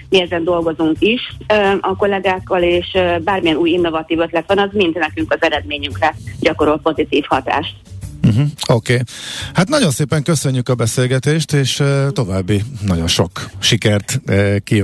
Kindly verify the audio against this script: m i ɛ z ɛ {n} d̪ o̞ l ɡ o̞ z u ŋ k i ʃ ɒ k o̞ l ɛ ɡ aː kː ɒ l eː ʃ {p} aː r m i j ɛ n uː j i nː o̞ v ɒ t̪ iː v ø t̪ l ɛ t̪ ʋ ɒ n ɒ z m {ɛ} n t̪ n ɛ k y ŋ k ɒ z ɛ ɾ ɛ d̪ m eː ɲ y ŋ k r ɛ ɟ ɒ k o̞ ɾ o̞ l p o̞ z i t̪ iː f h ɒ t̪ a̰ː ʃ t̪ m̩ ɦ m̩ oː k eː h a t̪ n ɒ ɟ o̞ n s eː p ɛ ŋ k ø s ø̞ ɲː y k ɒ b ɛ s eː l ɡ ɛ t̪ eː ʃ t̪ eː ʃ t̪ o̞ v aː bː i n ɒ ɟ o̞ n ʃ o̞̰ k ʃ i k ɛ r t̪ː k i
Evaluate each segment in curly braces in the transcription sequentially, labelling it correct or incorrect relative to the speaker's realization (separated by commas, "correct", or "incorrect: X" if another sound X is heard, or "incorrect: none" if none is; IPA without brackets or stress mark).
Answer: correct, incorrect: b, incorrect: i